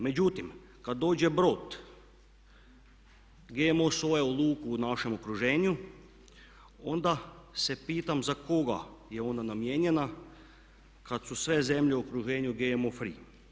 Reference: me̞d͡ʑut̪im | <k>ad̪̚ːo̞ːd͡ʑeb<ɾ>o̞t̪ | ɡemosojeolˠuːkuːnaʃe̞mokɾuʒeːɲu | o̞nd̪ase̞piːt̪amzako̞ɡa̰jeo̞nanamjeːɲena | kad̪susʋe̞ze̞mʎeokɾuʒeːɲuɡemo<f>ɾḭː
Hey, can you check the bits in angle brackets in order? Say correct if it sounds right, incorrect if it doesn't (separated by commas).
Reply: correct, correct, correct